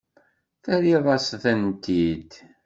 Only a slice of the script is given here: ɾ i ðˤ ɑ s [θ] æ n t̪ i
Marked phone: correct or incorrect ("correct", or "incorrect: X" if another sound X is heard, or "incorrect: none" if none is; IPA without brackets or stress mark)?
correct